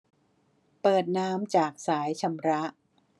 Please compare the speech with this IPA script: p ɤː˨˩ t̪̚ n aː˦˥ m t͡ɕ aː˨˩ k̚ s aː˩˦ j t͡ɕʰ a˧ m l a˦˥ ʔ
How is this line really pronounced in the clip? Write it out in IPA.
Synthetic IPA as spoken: p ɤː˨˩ t̪̚ n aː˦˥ m t͡ɕ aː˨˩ k̚ s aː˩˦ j t͡ɕʰ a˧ m ɾ a˦˥ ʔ